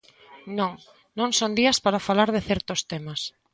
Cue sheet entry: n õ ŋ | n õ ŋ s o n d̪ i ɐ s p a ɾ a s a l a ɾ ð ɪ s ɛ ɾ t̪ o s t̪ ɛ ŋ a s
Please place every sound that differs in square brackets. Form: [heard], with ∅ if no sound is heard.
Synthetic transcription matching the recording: n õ ŋ | n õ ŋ s o n d̪ i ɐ s p a ɾ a [f] a l a ɾ ð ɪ [θ] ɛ ɾ t̪ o s t̪ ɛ [m] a s